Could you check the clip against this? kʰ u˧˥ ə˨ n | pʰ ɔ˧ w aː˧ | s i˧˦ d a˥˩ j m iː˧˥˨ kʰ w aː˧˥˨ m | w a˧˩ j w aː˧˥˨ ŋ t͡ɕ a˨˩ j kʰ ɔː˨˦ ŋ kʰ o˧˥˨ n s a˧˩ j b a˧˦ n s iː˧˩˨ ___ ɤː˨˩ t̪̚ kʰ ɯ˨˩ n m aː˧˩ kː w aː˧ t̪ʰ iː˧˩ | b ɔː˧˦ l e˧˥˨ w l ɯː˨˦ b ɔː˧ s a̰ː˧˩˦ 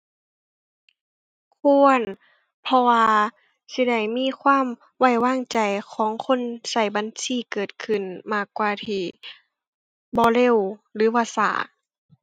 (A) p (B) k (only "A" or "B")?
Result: B